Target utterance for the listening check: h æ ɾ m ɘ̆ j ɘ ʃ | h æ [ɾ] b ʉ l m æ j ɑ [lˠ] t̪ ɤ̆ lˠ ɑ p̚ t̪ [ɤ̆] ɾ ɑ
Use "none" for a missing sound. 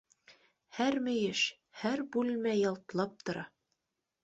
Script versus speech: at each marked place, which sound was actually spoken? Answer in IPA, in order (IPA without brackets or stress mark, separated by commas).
ɾ, lˠ, ŏ